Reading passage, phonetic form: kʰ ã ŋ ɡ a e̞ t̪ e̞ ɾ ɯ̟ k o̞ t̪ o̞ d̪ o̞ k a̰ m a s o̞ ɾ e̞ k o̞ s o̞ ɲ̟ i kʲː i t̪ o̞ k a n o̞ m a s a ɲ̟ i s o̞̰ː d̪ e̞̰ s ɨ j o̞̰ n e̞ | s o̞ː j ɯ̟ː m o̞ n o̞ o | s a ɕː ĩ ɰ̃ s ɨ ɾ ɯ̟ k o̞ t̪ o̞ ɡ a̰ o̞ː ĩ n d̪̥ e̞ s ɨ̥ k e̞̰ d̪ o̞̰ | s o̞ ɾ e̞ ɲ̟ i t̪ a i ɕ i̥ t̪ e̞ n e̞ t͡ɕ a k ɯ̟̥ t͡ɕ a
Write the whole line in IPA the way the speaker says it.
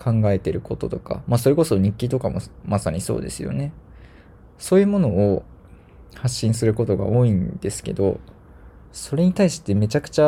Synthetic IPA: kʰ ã ŋ ɡ a e̞ t̪ e̞ ɾ ɯ̟ k o̞ t̪ o̞ t̪ o̞ k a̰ m a s o̞ ɾ e̞ k o̞ s o̞ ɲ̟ i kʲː i t̪ o̞ k a m o̞ m a s a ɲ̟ i s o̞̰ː d̪ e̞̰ s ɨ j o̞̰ n e̞ | s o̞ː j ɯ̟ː m o̞ n o̞ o | h a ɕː ĩ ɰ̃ s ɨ ɾ ɯ̟ k o̞ t̪ o̞ ɡ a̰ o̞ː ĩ n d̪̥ e̞ s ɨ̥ k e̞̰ d̪ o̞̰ | s o̞ ɾ e̞ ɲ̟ i t̪ a i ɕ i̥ t̪ e̞ m e̞ t͡ɕ a k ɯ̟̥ t͡ɕ a